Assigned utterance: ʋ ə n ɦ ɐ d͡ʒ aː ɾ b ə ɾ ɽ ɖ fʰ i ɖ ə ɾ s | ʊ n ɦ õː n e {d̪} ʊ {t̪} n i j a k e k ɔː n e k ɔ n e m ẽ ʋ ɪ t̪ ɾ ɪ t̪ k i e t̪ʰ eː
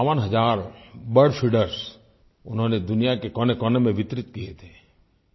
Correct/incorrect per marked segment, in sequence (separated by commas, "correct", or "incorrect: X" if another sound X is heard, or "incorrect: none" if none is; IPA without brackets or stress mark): correct, incorrect: none